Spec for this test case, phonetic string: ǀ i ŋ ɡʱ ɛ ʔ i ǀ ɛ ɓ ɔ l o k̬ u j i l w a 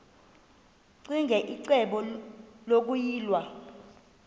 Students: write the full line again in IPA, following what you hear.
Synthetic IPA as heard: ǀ i ŋ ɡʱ ɛ ʔ i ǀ ɛ ɓ ɔ l o k̬ u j iː l w a